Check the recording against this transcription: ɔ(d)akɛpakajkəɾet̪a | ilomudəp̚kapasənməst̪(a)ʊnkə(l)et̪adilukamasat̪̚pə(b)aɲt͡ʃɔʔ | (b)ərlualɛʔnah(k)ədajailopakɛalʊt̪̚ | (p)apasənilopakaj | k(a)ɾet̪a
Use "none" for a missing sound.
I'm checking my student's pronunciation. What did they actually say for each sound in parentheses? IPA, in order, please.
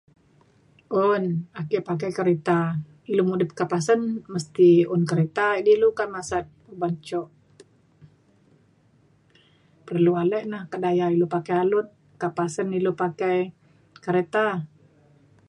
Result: n, i, ɾ, b, p, k, k, ə

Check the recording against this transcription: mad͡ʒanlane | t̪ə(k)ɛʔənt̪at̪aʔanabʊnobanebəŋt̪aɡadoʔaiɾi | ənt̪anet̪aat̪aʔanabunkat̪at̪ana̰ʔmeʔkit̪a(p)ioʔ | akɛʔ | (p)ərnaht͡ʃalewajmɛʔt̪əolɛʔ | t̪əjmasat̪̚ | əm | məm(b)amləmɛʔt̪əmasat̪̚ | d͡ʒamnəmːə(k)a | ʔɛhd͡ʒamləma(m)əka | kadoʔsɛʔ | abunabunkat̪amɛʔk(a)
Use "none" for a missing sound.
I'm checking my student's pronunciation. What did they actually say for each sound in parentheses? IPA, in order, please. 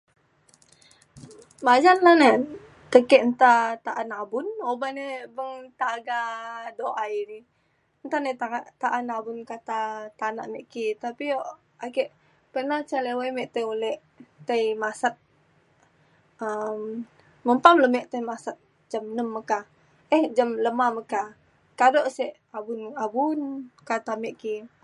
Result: k, p, p, p, k, m, i

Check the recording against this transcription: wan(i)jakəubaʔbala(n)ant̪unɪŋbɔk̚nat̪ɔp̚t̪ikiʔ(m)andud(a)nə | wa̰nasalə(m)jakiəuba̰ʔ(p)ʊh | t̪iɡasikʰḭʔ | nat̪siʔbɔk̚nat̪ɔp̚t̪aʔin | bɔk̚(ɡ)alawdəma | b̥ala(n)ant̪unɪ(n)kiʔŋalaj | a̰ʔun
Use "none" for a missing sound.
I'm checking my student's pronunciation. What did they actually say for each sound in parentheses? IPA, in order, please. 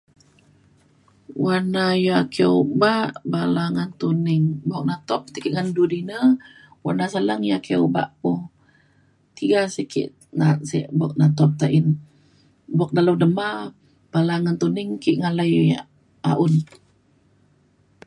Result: a, ŋ, ŋ, i, ŋ, p, d, ŋ, ŋ

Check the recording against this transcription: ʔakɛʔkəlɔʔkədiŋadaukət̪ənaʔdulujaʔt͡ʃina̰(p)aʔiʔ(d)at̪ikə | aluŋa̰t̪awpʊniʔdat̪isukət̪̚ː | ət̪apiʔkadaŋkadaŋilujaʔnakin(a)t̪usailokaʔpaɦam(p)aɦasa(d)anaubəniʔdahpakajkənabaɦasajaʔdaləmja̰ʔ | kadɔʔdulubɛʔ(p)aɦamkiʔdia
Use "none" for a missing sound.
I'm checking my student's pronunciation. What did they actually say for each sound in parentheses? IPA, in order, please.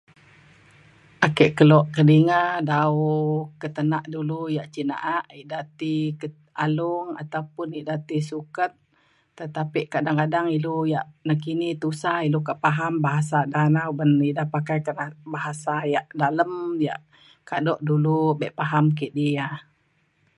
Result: ʔ, d, i, b, d, p

